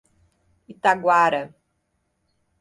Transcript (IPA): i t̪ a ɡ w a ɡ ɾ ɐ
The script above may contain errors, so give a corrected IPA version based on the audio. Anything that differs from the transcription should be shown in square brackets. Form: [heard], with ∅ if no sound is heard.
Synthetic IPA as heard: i t̪ a ɡ w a [∅] ɾ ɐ